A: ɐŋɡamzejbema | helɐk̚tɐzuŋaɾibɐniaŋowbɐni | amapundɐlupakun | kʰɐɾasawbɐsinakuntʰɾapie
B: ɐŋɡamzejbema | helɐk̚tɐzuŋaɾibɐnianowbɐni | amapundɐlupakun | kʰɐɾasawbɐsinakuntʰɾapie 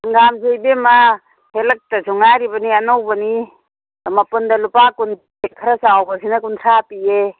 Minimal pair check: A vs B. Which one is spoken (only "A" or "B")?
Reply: B